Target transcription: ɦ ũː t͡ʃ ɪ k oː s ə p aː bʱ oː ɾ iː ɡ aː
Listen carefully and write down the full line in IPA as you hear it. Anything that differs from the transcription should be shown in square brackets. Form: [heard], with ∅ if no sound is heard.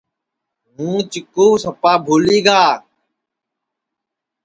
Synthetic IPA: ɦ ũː t͡ʃ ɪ k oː s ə p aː bʱ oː [l] iː ɡ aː